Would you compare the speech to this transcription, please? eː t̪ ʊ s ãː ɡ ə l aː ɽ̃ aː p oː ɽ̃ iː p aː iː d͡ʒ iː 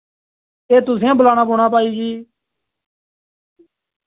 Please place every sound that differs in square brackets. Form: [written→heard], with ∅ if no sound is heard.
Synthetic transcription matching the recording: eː t̪ ʊ s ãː [ɡ→b] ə l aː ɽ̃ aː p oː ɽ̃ [iː→aː] p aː iː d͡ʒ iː